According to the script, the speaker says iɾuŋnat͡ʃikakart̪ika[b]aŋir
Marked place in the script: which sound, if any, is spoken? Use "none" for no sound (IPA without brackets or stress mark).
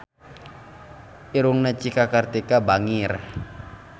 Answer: b